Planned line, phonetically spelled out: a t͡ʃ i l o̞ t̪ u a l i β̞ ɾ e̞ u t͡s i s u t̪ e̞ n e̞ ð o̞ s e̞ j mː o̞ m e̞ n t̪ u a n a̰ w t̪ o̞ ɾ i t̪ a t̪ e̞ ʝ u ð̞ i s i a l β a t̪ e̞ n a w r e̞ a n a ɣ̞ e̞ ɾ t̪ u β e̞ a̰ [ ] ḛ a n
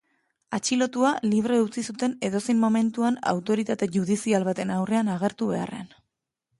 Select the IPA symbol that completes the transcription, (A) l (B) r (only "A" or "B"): B